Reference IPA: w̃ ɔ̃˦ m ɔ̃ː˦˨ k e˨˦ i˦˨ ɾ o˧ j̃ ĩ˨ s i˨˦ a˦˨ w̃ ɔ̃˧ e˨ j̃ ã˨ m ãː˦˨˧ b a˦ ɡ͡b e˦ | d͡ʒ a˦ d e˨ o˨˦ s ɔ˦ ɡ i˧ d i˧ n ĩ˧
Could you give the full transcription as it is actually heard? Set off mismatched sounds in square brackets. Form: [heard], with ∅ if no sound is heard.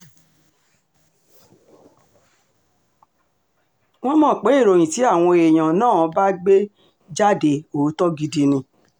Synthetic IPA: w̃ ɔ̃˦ m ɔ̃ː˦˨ [k͡p] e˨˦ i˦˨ ɾ o˧ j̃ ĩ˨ [t] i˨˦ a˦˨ w̃ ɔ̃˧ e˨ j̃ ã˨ [n] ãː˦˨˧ b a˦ ɡ͡b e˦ | d͡ʒ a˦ d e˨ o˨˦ [t] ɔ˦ ɡ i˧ d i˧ n ĩ˧